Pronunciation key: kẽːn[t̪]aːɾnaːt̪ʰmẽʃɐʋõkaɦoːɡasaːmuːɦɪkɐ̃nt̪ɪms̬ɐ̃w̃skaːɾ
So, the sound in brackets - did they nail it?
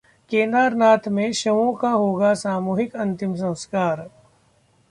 no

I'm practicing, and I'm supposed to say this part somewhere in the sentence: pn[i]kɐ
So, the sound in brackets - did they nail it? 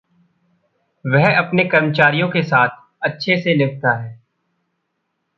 no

